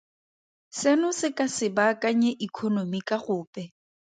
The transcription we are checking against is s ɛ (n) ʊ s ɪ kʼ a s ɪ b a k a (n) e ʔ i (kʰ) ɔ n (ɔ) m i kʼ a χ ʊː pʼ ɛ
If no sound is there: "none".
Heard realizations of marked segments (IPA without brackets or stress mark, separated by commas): n, ɲ, kʰ, o